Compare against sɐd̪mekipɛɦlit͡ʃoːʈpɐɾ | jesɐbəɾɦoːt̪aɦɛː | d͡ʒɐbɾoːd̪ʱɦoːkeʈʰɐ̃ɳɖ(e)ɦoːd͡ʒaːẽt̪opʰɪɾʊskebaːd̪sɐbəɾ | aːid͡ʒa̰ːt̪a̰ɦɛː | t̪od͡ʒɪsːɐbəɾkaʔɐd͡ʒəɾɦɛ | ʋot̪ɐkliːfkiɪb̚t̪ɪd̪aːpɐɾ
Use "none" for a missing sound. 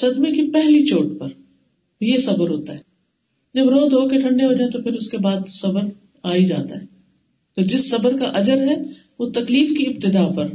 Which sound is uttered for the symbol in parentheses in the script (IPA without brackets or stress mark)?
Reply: e